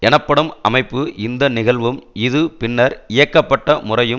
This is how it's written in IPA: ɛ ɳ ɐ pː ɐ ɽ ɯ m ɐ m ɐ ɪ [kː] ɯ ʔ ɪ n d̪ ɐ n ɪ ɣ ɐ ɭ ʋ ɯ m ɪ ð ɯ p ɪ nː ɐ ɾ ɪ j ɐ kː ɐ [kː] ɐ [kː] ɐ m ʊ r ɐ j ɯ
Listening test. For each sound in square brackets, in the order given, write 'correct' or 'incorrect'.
incorrect: pː, incorrect: pː, incorrect: ʈː

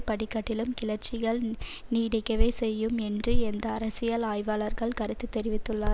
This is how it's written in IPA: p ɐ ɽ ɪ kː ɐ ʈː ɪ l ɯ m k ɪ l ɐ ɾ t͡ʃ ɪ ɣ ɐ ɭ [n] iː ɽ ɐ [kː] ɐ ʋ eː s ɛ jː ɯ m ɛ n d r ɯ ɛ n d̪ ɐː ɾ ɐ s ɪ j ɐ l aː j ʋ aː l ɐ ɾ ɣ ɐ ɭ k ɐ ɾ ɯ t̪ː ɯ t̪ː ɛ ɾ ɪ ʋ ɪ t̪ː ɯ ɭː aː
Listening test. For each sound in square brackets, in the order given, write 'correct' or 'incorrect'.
correct, correct

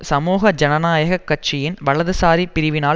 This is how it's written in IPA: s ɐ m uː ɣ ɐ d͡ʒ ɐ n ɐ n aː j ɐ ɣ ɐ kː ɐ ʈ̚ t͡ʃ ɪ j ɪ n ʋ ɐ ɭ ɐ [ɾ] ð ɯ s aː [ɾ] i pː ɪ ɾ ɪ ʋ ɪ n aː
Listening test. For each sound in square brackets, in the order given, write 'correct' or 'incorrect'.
incorrect: none, correct

